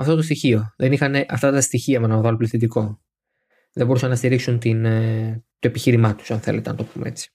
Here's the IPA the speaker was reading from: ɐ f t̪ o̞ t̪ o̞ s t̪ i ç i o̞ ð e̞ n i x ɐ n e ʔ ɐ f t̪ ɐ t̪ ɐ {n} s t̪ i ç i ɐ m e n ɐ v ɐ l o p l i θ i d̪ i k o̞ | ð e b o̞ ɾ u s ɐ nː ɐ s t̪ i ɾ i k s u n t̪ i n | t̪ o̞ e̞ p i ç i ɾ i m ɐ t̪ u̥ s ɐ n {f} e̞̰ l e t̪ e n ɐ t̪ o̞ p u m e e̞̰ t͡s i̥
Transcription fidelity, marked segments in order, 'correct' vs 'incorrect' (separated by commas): incorrect, incorrect